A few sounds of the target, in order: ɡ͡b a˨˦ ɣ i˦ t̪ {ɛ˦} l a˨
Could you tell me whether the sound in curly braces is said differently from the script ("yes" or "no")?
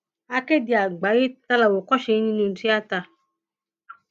yes